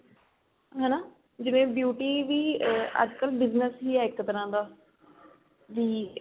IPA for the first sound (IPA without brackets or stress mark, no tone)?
ɦ